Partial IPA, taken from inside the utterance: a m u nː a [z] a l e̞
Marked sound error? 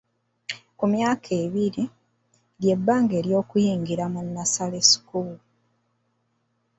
yes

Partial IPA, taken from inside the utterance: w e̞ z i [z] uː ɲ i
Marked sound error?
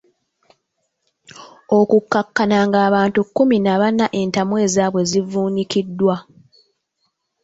yes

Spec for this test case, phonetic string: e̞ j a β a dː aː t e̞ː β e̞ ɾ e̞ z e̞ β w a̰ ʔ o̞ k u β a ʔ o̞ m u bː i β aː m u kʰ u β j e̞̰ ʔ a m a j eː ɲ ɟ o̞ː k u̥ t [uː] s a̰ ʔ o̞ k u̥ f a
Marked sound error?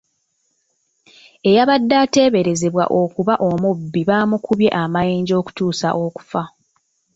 no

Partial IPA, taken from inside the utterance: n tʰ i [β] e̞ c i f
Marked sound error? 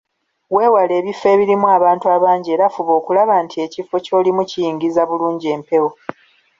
yes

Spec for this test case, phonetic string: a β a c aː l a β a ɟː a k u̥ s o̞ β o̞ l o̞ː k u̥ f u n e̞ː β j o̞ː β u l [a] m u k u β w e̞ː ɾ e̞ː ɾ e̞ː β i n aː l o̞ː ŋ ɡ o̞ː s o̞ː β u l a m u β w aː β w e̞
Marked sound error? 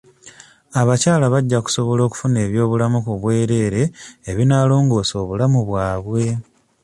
no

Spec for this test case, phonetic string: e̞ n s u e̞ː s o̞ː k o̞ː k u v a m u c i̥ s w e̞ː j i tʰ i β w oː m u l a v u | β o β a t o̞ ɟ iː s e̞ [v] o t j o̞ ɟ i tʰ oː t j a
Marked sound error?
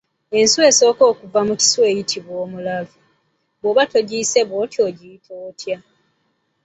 yes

